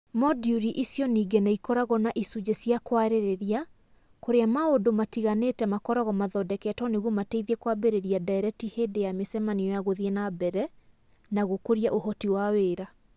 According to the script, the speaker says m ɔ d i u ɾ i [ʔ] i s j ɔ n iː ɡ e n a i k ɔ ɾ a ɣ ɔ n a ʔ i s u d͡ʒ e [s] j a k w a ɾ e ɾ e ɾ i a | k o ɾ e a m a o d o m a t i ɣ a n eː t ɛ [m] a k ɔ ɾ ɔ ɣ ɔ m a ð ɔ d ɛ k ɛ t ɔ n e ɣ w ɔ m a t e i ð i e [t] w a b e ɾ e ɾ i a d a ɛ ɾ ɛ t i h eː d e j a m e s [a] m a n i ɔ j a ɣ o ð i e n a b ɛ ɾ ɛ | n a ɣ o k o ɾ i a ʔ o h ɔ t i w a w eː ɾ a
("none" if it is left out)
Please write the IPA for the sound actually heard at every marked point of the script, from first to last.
ʔ, s, m, k, ɛ

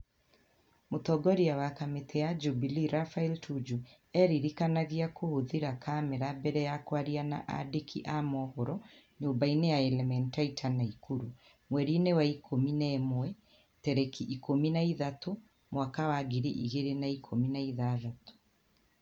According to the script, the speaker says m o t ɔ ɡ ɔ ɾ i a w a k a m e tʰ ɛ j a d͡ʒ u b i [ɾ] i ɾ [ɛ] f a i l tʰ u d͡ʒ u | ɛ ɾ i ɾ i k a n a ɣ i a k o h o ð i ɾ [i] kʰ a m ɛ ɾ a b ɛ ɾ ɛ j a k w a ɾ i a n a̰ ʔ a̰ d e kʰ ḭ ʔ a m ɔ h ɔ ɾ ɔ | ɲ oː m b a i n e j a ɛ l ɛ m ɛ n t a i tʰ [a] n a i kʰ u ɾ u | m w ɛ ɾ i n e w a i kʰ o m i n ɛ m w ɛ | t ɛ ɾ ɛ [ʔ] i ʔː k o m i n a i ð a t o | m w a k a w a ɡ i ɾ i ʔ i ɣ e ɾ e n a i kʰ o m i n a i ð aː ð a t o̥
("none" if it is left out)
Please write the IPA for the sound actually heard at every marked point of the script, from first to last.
l, a, a, a, k

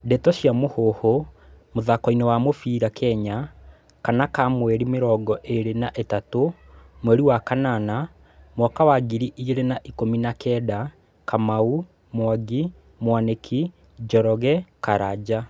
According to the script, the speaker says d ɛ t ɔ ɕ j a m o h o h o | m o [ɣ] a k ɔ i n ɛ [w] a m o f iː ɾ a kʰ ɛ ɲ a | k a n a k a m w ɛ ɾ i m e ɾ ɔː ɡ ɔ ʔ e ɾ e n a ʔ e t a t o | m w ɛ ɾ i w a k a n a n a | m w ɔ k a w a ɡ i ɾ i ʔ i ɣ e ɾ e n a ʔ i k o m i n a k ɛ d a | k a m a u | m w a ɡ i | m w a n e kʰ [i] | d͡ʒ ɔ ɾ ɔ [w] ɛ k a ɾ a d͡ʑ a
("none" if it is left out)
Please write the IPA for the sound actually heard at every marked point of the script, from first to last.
ð, w, i, ɣ

